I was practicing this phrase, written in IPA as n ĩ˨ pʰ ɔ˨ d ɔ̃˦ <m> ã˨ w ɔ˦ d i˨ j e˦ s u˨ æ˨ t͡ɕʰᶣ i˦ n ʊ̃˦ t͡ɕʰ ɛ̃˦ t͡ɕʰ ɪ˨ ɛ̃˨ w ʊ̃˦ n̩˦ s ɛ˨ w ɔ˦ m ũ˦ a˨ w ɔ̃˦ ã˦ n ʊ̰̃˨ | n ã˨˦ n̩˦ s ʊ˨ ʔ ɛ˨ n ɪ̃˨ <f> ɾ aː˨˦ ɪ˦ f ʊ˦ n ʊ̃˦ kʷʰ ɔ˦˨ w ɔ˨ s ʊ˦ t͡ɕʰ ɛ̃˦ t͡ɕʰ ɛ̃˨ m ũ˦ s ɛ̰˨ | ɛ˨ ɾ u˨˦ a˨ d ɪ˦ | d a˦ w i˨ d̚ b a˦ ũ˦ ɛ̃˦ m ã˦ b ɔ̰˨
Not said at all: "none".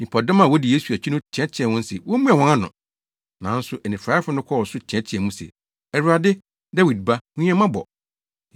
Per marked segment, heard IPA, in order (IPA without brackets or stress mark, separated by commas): m, f